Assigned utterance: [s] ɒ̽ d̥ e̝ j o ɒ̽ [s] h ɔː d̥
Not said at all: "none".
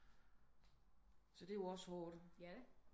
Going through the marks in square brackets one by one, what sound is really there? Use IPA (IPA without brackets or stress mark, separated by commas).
s, s